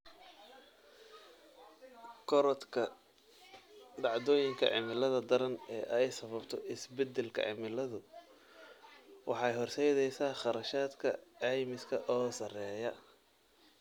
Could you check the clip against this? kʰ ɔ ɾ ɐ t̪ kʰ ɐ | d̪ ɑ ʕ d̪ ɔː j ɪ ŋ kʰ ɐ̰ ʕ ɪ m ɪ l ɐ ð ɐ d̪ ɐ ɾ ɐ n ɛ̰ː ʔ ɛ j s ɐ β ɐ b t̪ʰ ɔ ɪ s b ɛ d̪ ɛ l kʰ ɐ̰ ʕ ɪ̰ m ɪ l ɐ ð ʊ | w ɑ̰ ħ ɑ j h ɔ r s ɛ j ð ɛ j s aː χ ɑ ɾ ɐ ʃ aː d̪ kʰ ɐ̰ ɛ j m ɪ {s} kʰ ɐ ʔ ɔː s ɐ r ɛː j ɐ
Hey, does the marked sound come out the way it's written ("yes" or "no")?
yes